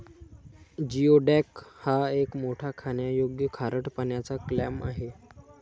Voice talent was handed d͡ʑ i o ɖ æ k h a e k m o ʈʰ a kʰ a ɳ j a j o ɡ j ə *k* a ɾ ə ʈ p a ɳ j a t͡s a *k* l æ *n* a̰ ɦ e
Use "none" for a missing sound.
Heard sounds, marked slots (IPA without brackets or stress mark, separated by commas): kʰ, k, m